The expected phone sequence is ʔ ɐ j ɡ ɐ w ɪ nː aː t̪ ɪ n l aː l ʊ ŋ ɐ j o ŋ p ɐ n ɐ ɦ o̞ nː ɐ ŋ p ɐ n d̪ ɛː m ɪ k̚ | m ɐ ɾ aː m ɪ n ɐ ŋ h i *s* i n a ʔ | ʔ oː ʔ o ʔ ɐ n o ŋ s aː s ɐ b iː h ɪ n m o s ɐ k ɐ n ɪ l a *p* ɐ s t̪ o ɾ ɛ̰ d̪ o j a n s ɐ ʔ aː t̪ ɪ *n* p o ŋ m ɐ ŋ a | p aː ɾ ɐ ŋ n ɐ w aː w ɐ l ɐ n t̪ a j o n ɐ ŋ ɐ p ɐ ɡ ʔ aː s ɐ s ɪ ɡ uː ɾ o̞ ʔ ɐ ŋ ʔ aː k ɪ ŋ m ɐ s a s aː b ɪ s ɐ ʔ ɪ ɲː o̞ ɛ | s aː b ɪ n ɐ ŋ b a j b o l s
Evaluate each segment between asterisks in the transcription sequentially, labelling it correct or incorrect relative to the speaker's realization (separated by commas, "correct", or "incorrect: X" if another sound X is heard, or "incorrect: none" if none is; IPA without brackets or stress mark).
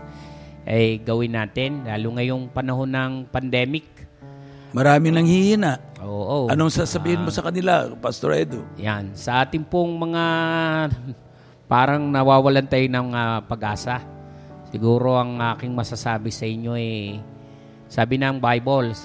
incorrect: h, correct, incorrect: ŋ